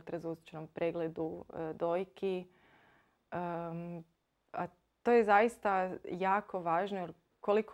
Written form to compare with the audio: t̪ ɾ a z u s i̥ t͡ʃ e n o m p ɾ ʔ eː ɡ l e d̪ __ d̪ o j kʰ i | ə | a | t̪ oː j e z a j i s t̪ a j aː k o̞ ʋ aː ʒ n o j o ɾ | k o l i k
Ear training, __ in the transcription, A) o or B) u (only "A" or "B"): B